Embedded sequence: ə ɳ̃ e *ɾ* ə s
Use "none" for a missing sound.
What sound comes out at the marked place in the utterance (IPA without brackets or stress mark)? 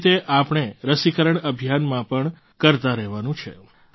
ɾ